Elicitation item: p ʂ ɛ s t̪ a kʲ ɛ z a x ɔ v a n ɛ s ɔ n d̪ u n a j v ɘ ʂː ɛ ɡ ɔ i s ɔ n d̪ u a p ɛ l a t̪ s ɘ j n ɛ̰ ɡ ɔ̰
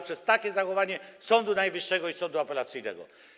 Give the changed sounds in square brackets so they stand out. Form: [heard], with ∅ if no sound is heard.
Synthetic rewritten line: p ʂ ɛ s t̪ a kʲ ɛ z a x ɔ v a [ɲ] ɛ s ɔ n d̪ u n a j v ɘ ʂː ɛ ɡ ɔ i s ɔ n d̪ u a p ɛ l a t̪ s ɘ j n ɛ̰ ɡ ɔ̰